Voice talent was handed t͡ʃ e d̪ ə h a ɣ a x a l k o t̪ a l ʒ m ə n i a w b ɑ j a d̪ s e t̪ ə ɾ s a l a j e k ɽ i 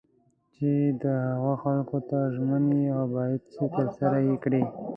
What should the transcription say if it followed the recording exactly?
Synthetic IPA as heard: t͡ʃ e d̪ ə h a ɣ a x a l k o t̪ a ʒ m ə n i a w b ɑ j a d̪ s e t̪ ə ɾ s a ɾ a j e k ɽ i